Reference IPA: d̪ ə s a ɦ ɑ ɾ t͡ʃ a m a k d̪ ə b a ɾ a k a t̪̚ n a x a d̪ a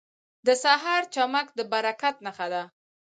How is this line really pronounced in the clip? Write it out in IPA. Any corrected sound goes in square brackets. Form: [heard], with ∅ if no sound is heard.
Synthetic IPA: d̪ ə s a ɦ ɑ ɾ t͡ʃ a m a k d̪ ə b a ɾ a k a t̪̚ n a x a d̪ a